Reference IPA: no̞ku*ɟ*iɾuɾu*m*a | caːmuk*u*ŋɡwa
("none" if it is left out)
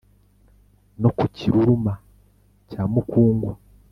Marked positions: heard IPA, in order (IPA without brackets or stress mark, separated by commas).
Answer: c, m, uː